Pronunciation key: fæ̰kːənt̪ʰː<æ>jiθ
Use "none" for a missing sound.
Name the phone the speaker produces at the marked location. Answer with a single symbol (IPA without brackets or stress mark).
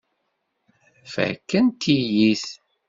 i